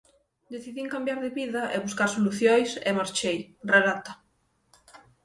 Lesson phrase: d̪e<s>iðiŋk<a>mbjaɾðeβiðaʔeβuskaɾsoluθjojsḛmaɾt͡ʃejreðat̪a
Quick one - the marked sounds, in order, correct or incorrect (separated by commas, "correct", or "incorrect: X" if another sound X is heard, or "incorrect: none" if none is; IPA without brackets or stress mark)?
incorrect: θ, correct